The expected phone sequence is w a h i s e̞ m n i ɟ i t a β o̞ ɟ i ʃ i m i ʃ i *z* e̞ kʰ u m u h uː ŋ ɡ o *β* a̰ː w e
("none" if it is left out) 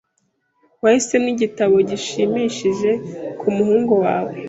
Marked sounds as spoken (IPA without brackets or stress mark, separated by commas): ʒ, w